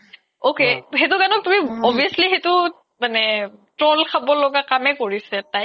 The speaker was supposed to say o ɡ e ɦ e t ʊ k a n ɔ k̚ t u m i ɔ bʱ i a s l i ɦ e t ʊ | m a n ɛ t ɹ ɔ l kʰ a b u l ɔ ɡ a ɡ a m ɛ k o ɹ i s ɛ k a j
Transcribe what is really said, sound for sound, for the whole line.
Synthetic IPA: o k e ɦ e t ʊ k a n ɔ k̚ t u m i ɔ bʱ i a s l i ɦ e t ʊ | m a n ɛ t ɹ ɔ l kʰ a b ɔ l ɔ ɡ a k a m ɛ k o ɹ i s ɛ t a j